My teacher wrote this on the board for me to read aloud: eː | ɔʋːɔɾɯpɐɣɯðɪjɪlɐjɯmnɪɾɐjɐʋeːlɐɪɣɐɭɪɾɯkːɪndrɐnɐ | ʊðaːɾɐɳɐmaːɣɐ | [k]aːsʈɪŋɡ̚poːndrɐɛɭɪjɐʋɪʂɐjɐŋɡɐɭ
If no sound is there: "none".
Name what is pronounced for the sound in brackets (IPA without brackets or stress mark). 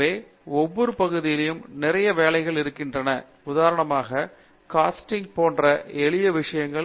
k